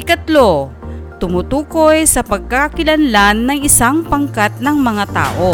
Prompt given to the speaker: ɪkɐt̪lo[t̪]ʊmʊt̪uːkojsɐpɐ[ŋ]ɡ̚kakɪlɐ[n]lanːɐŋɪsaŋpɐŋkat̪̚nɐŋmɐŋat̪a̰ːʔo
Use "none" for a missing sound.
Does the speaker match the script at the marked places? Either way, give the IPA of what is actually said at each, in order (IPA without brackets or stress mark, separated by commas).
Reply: t̪, none, n